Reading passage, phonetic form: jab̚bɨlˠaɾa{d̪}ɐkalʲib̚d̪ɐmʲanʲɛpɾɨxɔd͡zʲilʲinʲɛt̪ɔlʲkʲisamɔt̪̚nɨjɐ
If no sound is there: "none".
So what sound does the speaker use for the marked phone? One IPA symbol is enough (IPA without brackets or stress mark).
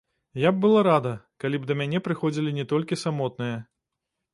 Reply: d̪